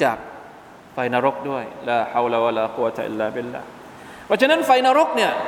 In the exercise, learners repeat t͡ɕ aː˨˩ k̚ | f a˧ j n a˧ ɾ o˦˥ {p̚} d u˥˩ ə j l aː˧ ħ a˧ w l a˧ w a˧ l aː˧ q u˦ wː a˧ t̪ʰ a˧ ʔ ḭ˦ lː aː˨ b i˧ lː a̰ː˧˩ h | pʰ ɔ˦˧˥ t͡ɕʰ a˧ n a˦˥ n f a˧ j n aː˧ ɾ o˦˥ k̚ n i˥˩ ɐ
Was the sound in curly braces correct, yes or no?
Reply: no